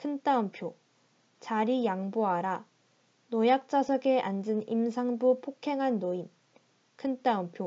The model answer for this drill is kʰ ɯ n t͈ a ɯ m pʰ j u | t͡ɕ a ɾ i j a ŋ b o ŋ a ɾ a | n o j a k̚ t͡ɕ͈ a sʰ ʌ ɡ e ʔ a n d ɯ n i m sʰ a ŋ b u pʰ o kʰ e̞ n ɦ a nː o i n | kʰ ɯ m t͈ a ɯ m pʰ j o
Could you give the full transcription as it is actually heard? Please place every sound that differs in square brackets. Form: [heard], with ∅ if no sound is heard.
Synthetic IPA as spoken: kʰ ɯ n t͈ a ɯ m pʰ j [o] | t͡ɕ a ɾ i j a ŋ b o [∅] a ɾ a | n o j a k̚ t͡ɕ͈ a sʰ ʌ ɡ e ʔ a n [d͡ʑ] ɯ n i m sʰ a ŋ b u pʰ o kʰ e̞ [ŋ] ɦ a nː o i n | kʰ ɯ [n] t͈ a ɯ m pʰ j o